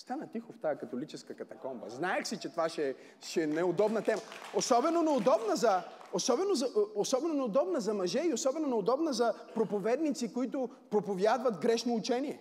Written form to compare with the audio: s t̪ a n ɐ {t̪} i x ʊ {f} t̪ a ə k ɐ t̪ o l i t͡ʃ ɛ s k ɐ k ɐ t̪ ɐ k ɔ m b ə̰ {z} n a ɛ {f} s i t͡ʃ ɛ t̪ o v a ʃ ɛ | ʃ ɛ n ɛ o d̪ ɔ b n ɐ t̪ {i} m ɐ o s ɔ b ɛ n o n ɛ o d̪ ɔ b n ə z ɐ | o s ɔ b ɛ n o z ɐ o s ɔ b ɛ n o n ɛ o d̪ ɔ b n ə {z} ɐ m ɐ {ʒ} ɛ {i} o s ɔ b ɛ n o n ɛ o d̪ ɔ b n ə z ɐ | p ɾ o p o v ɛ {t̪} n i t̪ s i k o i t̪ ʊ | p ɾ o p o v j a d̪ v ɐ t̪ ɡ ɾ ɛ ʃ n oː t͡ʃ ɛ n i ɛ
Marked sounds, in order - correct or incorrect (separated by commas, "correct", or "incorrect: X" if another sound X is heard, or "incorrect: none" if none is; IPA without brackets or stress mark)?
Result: correct, correct, correct, incorrect: x, incorrect: ɛ, correct, correct, correct, incorrect: d̪